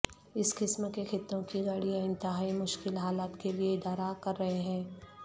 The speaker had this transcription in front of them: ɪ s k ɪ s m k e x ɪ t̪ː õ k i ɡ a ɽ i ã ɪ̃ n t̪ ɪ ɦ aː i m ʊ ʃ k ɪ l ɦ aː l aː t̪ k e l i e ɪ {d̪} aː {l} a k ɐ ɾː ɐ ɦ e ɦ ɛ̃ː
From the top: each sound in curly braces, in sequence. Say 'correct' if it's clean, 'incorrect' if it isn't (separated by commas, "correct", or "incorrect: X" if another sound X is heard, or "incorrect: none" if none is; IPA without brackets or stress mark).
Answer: correct, incorrect: ɾ